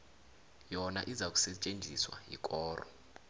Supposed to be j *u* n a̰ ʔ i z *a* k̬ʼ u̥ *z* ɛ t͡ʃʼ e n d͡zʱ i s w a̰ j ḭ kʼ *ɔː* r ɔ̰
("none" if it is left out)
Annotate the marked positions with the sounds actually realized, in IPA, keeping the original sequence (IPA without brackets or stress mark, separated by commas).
ɔ, a, s, ɔː